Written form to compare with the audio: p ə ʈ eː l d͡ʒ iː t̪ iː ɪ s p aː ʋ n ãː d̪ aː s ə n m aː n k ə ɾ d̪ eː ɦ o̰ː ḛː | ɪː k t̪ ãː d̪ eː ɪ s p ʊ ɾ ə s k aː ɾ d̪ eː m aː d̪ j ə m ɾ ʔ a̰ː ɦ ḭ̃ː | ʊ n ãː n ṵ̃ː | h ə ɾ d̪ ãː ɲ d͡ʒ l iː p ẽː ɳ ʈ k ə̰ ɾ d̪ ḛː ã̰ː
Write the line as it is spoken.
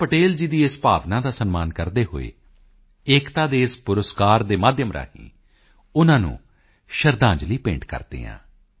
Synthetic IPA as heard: p ə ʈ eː l d͡ʒ iː d̪ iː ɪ s p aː ʋ n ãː d̪ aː s ə n m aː n k ə ɾ d̪ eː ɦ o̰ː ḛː | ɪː k t̪ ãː d̪ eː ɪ s p ʊ ɾ ə s k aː ɾ d̪ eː m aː d̪ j ə m ɾ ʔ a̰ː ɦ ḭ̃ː | ʊ n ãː n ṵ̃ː | ʃ ə ɾ d̪ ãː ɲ d͡ʒ l iː p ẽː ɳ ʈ k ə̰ ɾ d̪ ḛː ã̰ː

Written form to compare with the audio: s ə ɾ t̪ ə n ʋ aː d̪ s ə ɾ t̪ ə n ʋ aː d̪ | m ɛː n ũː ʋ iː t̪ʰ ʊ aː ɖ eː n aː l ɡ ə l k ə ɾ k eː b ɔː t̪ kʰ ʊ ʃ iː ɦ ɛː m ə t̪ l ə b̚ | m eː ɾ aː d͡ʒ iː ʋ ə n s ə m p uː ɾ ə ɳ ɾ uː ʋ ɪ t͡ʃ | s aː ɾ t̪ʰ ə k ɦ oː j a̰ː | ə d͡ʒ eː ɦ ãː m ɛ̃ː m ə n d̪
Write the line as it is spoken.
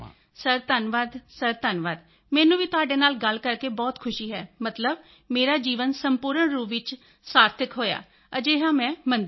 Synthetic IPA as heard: s ə ɾ t̪ ə n ʋ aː d̪ s ə ɾ t̪ ə n ʋ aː d̪ | m ɛː n ũː ʋ iː t̪ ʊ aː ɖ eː n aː l ɡ ə l k ə ɾ k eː b ɔː t̪ kʰ ʊ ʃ iː ɦ ɛː m ə t̪ l ə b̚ | m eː ɾ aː d͡ʒ iː ʋ ə n s ə m p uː ɾ ə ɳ ɾ uː ʋ ɪ t͡ʃ | s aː ɾ t̪ʰ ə k ɦ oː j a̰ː | ə d͡ʒ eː ɦ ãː m ɛ̃ː m ə n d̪

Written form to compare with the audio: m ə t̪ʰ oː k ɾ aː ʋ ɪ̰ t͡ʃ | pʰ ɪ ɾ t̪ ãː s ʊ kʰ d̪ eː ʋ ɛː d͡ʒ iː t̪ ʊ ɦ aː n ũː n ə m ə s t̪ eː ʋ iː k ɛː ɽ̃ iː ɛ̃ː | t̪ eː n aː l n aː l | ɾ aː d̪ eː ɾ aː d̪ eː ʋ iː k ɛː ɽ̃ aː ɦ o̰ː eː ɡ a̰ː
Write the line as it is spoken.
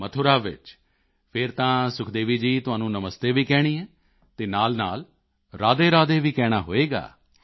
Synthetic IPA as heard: m ə t̪ʰ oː ɾ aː ʋ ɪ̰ t͡ʃ | pʰ ɪ ɾ t̪ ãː s ʊ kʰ d̪ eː ʋ iː d͡ʒ iː t̪ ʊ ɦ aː n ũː n ə m ə s t̪ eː ʋ iː k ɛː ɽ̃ iː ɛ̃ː | t̪ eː n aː l n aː l | ɾ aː d̪ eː ɾ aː d̪ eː ʋ iː k ɛː ɽ̃ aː ɦ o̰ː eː ɡ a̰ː

